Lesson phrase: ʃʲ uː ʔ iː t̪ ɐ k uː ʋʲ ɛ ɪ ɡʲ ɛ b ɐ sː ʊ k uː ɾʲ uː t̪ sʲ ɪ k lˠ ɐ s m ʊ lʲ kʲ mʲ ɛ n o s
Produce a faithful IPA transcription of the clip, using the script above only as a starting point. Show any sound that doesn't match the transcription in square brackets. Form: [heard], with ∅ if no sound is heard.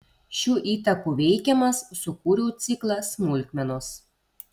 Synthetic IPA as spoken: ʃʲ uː ʔ iː t̪ ɐ k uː ʋʲ ɛ ɪ [kʲ] ɛ [m] ɐ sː ʊ k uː ɾʲ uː t̪ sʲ ɪ k lˠ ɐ s m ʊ lʲ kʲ mʲ ɛ n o s